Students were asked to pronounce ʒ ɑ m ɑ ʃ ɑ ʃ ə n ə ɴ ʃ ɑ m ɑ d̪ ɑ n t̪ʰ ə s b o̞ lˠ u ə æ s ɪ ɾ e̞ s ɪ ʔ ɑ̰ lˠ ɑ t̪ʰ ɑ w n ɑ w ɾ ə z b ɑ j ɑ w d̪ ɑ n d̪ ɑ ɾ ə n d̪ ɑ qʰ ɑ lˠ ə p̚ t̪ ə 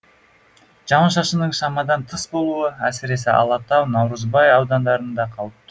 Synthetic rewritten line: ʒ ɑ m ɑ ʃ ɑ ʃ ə n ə ɴ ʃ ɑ m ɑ d̪ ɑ n t̪ʰ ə s b o̞ lˠ u ə æ s ɪ ɾ e̞ s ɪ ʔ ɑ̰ lˠ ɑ t̪ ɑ w n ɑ w ɾ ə z b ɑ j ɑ w d̪ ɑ n d̪ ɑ ɾ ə n d̪ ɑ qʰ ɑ lˠ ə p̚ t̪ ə